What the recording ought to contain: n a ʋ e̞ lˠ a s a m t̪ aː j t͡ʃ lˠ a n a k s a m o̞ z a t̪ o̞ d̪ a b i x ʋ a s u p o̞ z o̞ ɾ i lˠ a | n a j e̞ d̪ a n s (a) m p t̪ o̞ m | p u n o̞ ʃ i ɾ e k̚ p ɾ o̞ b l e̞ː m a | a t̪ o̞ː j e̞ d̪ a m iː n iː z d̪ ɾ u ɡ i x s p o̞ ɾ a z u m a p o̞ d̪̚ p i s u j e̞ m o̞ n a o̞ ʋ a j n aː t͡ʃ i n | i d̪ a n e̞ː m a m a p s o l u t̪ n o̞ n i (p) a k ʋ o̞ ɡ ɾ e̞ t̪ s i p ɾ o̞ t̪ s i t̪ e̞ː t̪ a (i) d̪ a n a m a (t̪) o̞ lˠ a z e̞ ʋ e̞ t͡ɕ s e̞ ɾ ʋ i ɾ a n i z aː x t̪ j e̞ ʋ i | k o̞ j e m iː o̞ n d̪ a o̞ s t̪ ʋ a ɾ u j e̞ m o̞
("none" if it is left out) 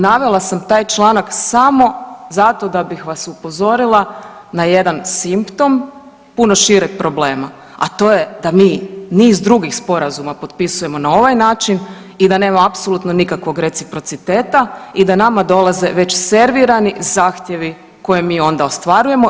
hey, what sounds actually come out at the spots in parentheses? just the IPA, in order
i, k, i, d̪

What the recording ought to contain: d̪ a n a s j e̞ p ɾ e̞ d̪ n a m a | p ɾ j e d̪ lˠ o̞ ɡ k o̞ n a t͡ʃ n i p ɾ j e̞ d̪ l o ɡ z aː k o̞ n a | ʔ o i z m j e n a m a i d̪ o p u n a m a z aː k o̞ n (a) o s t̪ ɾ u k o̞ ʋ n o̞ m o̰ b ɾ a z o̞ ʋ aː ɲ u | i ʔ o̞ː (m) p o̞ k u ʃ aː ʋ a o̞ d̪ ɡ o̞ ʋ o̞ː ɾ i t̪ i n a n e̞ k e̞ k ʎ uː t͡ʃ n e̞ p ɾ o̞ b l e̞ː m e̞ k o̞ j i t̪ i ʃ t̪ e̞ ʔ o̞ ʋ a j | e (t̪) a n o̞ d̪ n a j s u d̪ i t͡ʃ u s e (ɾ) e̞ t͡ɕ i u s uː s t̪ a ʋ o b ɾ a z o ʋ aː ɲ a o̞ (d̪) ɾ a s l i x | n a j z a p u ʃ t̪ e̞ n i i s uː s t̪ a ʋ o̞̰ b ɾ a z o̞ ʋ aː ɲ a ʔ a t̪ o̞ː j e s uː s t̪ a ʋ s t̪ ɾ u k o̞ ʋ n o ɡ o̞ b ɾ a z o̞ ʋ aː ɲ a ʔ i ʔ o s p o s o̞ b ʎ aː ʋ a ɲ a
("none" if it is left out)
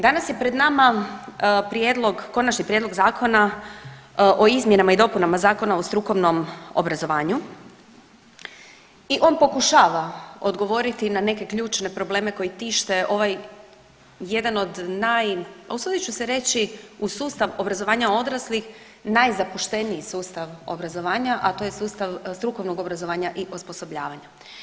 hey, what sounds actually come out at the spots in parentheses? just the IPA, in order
a, n, d̪, ɾ, d̪

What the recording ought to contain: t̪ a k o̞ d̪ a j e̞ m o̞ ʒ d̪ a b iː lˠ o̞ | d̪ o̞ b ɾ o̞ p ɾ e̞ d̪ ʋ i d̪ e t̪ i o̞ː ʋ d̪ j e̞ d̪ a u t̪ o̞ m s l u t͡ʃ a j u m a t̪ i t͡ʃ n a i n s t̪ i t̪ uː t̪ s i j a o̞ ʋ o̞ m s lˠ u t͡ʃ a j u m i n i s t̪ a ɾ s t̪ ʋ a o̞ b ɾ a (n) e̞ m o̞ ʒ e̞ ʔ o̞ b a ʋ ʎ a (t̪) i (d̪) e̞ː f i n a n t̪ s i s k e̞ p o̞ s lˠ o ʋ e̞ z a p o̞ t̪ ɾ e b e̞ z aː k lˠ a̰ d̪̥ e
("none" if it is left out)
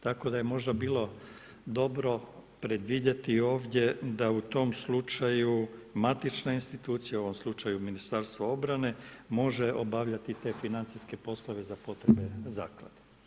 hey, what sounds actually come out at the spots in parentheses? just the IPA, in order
n, t̪, t̪

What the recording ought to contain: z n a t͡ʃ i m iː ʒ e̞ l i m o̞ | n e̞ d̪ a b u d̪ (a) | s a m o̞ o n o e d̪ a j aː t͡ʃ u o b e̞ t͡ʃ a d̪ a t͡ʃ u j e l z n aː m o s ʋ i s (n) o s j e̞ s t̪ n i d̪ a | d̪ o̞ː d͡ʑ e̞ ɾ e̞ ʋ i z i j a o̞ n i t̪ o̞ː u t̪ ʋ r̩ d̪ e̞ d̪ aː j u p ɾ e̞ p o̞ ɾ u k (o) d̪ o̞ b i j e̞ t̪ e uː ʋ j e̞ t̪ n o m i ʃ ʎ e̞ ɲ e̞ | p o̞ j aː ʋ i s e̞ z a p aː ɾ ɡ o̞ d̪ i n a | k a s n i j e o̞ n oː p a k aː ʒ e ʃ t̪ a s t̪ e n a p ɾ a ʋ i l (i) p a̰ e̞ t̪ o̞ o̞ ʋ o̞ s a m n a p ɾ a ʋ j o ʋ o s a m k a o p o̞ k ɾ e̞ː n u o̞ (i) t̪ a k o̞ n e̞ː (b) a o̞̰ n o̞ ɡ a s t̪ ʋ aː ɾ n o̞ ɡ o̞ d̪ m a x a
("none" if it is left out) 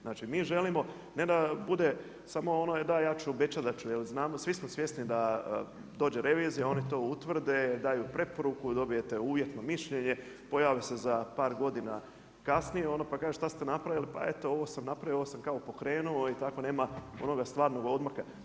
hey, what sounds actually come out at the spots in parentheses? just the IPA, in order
e, m, u, i, i, m

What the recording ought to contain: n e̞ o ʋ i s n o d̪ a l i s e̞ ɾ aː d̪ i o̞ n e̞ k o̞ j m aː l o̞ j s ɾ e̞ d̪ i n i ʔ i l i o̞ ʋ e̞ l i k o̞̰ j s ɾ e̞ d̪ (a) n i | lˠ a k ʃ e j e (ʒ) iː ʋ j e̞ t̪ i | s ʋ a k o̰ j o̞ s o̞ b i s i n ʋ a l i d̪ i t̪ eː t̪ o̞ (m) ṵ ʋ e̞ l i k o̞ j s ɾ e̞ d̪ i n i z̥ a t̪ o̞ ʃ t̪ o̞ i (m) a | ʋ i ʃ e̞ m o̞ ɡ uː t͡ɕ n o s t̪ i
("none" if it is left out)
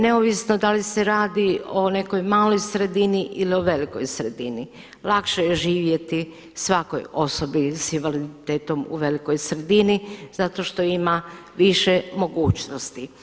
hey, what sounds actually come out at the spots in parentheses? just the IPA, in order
i, ʒ, m, m

